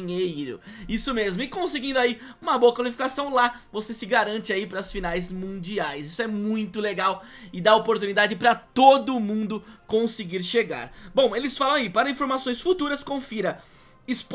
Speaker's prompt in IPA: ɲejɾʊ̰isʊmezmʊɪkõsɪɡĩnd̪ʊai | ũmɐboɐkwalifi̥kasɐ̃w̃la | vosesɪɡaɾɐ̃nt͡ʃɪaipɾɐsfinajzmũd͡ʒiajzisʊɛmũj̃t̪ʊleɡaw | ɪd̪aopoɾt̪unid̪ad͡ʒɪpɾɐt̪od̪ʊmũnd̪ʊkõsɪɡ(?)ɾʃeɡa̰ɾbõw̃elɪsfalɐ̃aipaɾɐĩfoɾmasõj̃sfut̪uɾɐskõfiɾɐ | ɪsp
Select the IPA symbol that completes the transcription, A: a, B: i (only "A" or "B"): B